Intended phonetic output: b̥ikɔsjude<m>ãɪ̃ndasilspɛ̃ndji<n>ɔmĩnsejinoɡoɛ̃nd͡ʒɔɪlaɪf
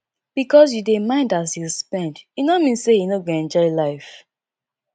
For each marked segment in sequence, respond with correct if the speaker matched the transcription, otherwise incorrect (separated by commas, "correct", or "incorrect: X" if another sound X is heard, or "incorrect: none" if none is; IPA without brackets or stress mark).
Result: correct, correct